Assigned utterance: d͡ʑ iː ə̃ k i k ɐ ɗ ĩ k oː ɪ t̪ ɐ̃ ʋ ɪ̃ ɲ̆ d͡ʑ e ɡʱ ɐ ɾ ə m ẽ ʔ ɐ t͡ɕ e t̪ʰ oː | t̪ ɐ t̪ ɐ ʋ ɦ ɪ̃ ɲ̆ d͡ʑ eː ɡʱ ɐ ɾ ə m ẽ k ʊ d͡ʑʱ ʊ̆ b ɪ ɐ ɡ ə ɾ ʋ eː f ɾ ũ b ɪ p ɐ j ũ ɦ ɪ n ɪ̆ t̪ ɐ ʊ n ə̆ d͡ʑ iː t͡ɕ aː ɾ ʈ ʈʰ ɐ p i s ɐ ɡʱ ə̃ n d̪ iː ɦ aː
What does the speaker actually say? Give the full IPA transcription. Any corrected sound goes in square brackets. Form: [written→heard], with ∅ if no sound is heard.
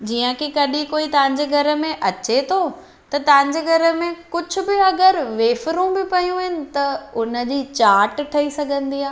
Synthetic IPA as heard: d͡ʑ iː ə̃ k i k ɐ ɗ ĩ k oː [ɪ→i] t̪ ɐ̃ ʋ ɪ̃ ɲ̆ d͡ʑ e ɡʱ ɐ ɾ ə m ẽ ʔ ɐ t͡ɕ e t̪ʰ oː | t̪ ɐ t̪ ɐ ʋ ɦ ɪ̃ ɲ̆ d͡ʑ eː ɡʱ ɐ ɾ ə m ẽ k ʊ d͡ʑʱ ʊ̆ b ɪ ɐ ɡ ə ɾ ʋ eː f ɾ ũ b ɪ p ɐ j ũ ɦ ɪ n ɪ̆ t̪ ɐ ʊ n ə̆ d͡ʑ iː t͡ɕ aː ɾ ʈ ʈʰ ɐ [p→∅] i s ɐ ɡʱ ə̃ n d̪ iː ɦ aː